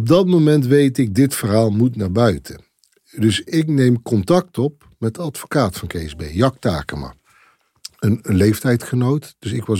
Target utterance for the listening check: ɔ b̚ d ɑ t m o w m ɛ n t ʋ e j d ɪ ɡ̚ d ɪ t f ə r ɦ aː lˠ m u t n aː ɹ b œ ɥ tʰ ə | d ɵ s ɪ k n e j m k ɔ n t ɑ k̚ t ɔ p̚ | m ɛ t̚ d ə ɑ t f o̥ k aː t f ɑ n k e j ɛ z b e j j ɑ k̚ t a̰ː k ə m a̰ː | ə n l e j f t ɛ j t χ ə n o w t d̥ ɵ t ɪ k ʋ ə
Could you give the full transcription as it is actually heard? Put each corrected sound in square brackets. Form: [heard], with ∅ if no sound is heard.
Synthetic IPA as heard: ɔ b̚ d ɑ t m o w m ɛ n t ʋ e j [t] ɪ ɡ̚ d ɪ t f ə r ɦ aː lˠ m u t n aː ɹ b œ ɥ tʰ ə | d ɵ s ɪ k n e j m k ɔ n t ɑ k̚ t ɔ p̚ | m ɛ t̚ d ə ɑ t f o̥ k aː t f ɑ n k e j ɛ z b e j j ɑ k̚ t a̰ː k ə m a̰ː | ə n l e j f t ɛ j t χ ə n o w t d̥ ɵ [s] ɪ k ʋ [ɑ]